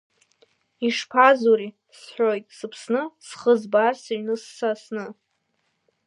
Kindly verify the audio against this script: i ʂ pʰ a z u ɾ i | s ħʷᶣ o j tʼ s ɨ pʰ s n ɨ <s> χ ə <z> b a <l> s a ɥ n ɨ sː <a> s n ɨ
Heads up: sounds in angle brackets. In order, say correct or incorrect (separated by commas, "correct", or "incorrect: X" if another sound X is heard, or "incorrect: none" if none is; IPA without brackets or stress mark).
correct, correct, incorrect: r, correct